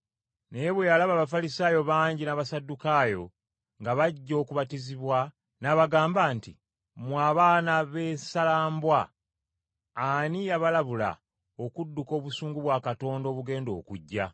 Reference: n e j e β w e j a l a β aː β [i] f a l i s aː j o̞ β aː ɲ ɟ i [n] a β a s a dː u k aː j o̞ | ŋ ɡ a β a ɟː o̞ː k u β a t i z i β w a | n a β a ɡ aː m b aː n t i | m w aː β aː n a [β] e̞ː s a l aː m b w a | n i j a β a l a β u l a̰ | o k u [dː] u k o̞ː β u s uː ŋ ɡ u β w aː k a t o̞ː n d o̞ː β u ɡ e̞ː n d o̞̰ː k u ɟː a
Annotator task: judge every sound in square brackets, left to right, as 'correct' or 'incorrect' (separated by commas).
incorrect, correct, correct, correct